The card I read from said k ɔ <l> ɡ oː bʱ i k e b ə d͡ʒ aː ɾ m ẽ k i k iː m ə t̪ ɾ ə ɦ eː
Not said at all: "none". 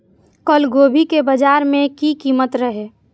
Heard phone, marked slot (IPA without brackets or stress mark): l